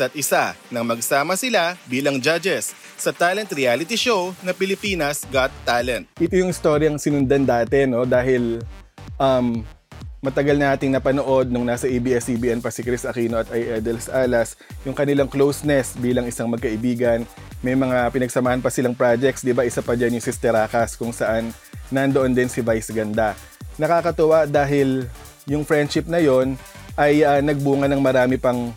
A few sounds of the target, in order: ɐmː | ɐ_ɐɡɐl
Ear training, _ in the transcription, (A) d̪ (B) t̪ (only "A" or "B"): B